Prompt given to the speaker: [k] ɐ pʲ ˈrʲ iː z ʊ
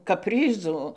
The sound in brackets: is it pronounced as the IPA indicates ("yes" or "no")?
yes